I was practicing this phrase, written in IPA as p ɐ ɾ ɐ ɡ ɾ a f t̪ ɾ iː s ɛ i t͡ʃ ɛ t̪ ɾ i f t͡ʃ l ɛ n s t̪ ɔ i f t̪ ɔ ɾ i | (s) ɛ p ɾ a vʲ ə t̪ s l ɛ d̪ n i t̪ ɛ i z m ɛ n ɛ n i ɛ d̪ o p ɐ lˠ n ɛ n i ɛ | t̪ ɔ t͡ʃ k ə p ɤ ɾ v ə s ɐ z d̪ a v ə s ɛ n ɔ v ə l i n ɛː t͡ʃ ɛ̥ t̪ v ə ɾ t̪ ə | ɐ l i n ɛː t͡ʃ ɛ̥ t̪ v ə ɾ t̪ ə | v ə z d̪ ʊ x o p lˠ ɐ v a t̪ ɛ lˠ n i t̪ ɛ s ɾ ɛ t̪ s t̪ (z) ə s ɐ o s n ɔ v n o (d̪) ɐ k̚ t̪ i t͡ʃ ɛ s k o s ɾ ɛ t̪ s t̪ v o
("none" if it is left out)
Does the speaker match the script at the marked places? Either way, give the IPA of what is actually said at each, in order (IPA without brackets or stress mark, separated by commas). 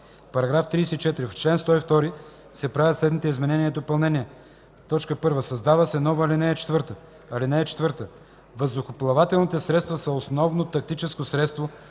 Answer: s, v, t̪